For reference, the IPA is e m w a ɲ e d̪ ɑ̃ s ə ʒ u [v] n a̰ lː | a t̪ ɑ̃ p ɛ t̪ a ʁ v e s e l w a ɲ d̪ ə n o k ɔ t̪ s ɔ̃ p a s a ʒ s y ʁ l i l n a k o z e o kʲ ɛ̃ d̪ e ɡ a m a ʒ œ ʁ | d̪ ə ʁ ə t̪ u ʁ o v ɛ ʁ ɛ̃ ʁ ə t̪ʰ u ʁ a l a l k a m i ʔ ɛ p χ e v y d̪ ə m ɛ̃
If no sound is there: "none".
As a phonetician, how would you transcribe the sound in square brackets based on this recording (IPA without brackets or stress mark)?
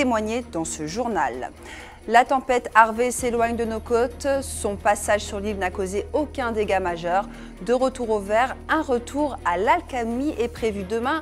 ʁ